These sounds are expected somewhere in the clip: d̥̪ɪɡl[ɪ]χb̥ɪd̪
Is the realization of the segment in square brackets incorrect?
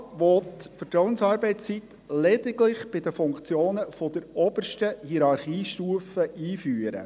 no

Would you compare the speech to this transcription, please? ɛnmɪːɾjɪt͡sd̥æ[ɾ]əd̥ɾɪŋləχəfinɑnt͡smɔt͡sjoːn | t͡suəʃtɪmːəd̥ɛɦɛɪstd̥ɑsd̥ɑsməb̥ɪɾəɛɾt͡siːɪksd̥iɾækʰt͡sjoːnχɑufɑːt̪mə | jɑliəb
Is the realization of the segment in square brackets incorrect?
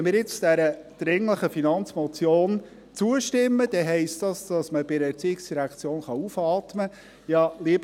no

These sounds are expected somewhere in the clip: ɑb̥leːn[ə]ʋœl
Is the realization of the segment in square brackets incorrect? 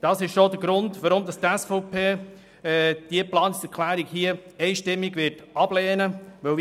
no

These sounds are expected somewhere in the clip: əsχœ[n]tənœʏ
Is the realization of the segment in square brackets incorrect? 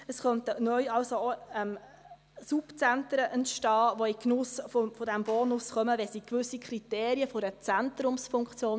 no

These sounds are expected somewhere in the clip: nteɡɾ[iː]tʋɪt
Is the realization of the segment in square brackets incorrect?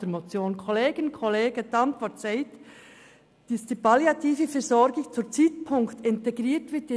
no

